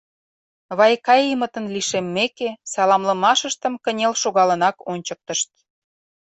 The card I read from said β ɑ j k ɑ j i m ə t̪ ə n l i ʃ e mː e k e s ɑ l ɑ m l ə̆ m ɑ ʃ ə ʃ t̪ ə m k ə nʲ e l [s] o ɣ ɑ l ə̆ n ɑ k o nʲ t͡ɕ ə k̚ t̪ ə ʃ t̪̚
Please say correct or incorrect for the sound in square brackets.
incorrect